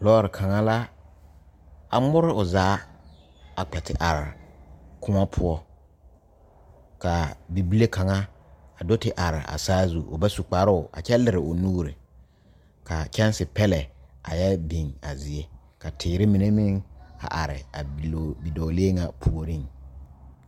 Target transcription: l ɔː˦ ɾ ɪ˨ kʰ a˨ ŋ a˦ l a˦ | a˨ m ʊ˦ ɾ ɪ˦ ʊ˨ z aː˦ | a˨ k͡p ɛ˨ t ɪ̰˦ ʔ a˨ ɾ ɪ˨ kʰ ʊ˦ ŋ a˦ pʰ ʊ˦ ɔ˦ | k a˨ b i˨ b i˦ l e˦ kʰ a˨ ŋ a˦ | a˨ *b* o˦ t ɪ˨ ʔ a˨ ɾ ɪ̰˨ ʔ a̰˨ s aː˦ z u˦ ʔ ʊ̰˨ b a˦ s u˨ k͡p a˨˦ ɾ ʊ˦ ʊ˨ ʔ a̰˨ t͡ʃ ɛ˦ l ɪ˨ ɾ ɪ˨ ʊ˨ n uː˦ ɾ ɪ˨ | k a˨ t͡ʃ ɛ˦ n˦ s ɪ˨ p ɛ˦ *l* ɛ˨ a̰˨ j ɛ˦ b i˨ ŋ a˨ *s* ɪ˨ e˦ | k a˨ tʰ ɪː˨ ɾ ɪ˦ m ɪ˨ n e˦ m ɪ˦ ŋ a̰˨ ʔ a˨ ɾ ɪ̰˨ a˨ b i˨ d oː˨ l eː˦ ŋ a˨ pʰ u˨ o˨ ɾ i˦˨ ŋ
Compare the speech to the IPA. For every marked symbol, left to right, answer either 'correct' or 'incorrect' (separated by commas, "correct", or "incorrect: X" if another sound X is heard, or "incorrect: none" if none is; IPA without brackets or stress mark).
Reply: incorrect: d, correct, incorrect: z